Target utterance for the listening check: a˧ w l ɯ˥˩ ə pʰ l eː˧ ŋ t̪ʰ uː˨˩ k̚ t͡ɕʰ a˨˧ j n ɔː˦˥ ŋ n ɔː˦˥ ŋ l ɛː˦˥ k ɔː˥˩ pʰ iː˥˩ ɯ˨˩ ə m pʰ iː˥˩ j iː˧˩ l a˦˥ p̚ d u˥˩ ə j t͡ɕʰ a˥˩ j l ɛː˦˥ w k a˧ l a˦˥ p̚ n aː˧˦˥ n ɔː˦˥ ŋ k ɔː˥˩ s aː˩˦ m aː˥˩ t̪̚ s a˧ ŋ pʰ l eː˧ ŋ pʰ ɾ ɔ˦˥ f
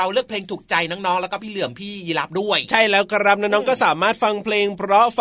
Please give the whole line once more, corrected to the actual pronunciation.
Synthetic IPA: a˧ w l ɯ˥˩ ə pʰ l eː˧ ŋ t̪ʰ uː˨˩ k̚ t͡ɕ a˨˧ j n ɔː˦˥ ŋ n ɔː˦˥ ŋ l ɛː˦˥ k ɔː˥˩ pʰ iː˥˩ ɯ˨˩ ə m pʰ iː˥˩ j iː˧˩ l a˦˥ p̚ d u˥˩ ə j t͡ɕʰ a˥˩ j l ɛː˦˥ w k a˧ ɾ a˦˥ p̚ n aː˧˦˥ n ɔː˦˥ ŋ k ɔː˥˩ s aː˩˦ m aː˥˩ t̪̚ f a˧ ŋ pʰ l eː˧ ŋ pʰ ɾ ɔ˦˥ f